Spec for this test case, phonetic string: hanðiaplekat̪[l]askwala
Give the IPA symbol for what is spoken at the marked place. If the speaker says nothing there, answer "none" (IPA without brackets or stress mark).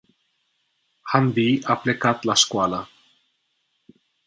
l